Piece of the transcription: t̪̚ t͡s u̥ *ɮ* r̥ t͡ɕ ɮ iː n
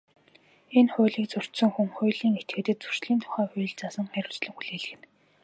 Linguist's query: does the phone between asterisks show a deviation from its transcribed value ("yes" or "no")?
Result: yes